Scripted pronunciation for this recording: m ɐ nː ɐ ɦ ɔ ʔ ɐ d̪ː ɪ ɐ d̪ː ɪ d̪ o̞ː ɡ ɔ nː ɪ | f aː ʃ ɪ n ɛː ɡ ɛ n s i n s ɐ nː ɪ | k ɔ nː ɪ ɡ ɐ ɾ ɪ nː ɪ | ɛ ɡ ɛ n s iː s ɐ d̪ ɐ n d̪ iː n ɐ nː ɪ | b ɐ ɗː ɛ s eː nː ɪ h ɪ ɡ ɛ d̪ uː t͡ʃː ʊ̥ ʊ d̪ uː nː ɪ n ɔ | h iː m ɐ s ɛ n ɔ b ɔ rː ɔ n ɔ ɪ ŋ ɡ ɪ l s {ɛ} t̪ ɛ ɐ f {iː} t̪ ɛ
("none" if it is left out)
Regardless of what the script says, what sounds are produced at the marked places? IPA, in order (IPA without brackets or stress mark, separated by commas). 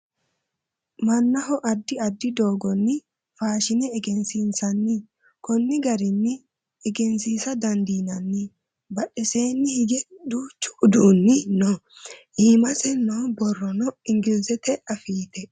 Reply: ɛ, iː